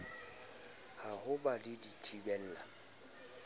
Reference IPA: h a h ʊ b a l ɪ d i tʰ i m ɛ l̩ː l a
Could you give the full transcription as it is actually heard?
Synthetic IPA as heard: h a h ʊ b a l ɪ d i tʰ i b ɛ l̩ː l a